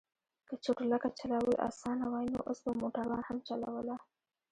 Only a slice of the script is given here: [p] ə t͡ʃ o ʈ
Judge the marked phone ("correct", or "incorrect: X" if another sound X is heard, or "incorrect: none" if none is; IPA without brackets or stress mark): incorrect: k